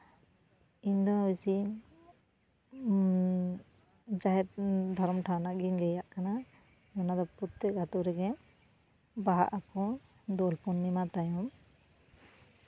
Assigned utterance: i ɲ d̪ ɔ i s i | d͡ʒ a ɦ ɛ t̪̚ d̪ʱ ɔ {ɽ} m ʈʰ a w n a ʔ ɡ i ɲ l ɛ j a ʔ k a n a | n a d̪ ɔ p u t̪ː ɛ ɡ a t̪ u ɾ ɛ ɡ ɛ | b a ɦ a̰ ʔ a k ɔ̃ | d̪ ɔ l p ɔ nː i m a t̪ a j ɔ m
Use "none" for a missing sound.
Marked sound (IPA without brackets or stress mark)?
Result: ɾ